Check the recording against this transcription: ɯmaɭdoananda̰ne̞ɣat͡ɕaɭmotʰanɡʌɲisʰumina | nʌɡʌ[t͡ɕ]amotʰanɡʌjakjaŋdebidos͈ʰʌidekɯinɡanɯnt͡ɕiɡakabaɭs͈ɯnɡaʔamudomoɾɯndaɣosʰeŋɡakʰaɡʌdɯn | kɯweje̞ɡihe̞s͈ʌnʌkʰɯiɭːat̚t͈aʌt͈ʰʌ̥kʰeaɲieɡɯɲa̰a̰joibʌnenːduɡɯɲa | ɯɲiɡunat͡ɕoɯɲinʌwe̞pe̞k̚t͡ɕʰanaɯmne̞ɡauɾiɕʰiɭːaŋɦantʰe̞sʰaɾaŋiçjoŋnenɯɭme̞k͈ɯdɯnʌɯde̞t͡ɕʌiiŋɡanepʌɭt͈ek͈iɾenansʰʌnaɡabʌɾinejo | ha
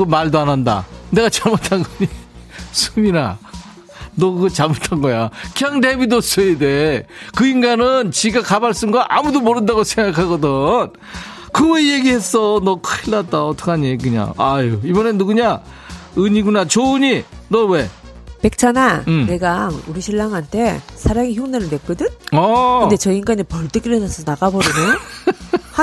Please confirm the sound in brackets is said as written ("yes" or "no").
yes